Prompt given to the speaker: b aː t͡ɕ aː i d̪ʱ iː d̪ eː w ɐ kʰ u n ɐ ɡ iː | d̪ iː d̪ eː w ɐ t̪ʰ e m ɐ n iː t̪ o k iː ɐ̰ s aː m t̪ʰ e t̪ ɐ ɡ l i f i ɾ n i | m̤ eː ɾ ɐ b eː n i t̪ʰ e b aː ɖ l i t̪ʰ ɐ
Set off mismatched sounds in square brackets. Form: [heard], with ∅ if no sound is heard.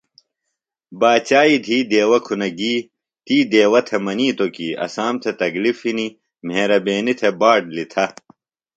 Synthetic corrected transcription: b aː t͡ɕ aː i d̪ʱ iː d̪ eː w ɐ kʰ u n ɐ ɡ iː | [t̪] iː d̪ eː w ɐ t̪ʰ e m ɐ n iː t̪ o k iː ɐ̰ s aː m t̪ʰ e t̪ ɐ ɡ l i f i [∅] n i | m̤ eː ɾ ɐ b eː n i t̪ʰ e b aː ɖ l i t̪ʰ ɐ